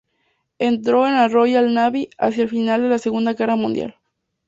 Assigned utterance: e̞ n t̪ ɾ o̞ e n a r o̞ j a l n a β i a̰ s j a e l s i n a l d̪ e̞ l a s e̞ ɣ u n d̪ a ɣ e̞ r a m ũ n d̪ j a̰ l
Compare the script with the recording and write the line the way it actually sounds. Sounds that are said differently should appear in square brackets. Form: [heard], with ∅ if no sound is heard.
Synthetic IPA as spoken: e̞ n t̪ ɾ o̞ e n a r o̞ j a l n a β i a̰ s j a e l [f] i n a l d̪ e̞ l a s e̞ ɣ u n d̪ a ɣ e̞ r a m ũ n d̪ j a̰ l